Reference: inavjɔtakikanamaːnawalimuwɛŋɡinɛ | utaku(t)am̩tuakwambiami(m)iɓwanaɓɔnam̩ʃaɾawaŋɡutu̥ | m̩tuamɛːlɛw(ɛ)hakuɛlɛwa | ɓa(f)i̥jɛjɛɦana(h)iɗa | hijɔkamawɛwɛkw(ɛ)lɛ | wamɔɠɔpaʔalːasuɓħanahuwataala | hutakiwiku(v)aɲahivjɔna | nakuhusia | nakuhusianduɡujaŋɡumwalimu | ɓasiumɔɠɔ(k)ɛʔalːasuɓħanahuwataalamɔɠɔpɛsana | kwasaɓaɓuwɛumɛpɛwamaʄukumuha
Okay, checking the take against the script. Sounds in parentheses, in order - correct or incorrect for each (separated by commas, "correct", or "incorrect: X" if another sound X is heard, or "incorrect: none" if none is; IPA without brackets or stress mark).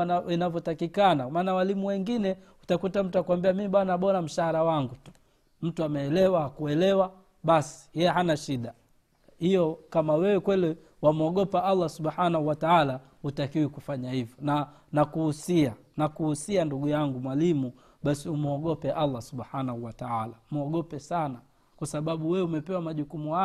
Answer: correct, correct, incorrect: a, incorrect: s, incorrect: ʃ, correct, incorrect: f, incorrect: p